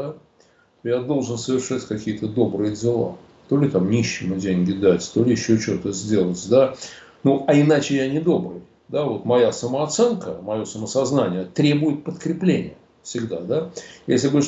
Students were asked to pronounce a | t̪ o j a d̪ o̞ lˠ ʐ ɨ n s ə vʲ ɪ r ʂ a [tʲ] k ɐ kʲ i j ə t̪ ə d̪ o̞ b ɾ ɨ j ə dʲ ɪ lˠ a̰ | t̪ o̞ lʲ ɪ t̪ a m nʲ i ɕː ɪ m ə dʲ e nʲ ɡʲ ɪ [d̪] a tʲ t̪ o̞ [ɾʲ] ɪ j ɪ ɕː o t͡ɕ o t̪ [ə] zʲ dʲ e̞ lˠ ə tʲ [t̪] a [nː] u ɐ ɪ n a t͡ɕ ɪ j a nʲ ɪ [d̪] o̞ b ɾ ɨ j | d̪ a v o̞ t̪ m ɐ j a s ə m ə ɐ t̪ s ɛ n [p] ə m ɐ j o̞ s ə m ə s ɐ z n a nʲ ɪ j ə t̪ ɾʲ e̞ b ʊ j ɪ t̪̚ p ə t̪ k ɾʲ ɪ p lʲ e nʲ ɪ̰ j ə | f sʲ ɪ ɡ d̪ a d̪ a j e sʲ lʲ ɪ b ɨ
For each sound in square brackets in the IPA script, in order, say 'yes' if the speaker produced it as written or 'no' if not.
yes, yes, no, yes, no, no, yes, no

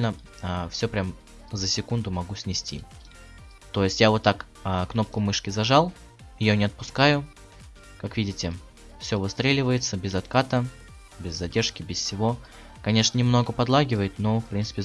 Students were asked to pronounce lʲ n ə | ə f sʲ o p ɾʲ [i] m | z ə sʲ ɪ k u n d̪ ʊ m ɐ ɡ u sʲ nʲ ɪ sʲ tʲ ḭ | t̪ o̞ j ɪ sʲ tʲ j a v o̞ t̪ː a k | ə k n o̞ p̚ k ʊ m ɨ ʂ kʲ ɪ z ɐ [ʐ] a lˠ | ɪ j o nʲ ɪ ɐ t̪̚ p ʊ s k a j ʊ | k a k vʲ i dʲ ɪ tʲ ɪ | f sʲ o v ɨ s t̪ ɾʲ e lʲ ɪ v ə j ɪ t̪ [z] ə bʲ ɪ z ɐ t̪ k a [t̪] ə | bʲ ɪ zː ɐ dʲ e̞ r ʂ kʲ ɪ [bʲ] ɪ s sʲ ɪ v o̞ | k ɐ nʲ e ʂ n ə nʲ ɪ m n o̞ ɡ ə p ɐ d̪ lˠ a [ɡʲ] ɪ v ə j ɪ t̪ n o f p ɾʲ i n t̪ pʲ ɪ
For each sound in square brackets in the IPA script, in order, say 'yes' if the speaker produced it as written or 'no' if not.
no, yes, no, yes, yes, yes

